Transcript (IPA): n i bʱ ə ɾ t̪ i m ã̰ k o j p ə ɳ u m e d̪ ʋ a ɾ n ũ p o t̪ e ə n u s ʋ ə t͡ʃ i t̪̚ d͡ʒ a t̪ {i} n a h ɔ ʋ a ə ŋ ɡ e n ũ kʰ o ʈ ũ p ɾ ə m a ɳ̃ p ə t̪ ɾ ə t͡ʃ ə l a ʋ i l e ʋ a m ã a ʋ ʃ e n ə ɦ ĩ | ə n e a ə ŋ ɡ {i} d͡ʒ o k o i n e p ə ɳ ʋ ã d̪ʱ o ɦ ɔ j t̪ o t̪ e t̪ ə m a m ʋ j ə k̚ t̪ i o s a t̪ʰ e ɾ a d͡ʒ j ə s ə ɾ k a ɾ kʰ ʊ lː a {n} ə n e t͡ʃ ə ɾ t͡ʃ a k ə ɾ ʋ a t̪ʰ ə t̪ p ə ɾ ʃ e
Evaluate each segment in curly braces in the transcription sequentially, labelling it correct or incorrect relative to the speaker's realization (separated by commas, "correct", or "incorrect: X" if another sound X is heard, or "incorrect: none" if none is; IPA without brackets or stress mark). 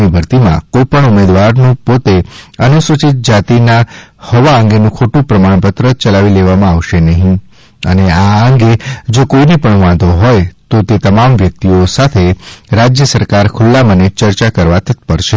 correct, incorrect: e, incorrect: m